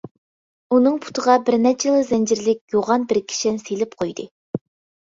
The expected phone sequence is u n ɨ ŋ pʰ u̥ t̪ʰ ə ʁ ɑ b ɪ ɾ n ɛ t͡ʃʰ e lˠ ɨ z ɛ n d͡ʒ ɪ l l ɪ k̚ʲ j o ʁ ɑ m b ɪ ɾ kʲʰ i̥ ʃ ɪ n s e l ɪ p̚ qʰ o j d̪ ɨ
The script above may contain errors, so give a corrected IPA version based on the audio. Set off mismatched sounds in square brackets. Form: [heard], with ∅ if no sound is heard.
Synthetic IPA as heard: u n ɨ ŋ pʰ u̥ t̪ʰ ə ʁ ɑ b ɪ ɾ n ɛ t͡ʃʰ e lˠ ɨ z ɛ n d͡ʒ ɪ [ɾ] l ɪ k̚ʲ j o ʁ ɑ [n] b ɪ ɾ kʲʰ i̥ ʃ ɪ n s e l ɪ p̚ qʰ o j d̪ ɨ